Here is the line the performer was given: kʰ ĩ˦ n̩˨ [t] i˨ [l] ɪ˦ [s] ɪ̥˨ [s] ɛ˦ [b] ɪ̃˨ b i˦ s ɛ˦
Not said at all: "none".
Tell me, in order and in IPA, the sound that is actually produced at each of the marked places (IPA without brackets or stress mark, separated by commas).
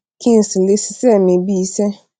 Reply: s, l, s, s, m